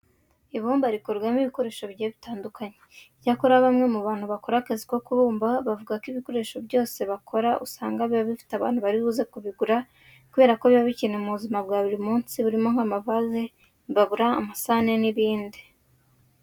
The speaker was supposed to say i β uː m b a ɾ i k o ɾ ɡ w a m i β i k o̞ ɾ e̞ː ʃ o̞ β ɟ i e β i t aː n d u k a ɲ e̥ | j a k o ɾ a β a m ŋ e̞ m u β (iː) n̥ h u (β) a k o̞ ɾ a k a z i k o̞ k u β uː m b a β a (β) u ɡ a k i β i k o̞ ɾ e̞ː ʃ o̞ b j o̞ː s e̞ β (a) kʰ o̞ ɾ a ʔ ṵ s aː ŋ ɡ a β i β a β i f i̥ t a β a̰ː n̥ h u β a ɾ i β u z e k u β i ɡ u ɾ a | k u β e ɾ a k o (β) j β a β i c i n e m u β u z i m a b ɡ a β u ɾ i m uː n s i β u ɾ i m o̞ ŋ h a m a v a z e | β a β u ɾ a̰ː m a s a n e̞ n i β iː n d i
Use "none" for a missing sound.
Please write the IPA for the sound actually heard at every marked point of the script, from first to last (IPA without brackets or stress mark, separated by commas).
aː, β, v, a, β